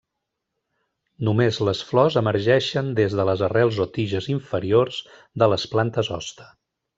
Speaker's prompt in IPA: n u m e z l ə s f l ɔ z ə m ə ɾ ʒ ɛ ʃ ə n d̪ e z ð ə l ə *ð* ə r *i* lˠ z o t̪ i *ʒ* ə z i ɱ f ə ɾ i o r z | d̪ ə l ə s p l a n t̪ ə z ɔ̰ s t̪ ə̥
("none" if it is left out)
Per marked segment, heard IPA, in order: z, ɛ, ʒ

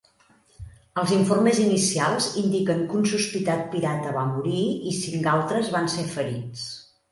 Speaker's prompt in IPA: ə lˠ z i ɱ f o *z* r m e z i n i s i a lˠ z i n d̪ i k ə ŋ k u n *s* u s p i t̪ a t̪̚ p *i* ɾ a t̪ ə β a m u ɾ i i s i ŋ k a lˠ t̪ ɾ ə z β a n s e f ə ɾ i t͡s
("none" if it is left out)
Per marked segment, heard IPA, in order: none, s, i

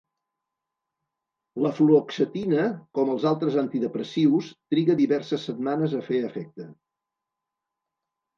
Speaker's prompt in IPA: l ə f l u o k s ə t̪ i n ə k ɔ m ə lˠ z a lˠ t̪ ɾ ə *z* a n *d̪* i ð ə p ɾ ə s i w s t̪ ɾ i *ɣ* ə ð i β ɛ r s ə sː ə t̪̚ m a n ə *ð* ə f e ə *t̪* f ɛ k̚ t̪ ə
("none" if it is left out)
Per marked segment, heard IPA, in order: z, t̪, ɣ, z, none

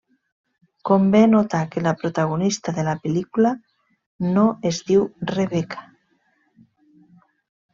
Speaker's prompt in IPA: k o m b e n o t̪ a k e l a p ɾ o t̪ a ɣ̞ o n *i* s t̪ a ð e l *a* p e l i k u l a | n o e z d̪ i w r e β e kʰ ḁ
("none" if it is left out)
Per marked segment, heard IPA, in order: i, a

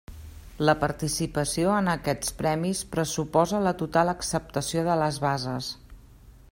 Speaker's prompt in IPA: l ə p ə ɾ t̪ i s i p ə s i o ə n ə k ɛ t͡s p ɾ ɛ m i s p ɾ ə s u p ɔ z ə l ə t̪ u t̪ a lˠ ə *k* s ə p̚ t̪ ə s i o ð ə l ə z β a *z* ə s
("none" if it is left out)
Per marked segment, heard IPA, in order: k, z

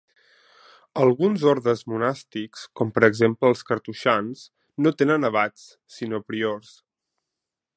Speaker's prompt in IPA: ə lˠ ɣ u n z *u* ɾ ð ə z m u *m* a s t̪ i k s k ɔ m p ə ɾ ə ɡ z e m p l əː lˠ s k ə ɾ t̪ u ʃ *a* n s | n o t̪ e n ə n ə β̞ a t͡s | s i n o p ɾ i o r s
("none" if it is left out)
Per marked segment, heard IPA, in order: o, n, a

